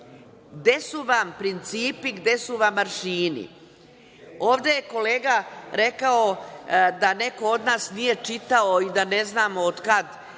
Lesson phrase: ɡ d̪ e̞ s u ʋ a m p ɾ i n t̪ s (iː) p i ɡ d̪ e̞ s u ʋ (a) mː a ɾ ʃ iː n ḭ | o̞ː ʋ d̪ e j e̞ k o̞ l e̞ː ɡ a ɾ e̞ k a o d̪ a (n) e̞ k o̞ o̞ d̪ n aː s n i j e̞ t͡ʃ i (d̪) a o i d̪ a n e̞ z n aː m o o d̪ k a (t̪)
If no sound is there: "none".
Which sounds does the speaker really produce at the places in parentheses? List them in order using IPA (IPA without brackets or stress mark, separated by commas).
iː, a, n, t̪, d̪